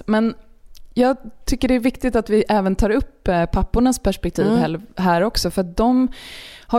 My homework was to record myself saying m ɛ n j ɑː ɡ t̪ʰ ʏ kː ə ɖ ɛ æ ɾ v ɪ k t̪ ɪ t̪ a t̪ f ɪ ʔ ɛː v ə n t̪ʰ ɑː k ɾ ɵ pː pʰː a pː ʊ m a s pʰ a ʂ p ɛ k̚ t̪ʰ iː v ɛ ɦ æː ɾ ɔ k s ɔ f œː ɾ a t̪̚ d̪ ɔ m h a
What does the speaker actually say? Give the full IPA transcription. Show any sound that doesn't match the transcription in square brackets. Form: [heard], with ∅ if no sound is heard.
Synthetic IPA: m ɛ n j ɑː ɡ t̪ʰ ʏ kː ə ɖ ɛ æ ɾ v ɪ k t̪ ɪ t̪ a t̪ [v] ɪ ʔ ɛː v ə n t̪ʰ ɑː [∅] ɾ ɵ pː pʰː a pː ʊ [ɳ] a s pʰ [æ] ʂ p ɛ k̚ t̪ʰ iː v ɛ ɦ æː ɾ ɔ k s ɔ f [œ] ɾ a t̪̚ d̪ ɔ m h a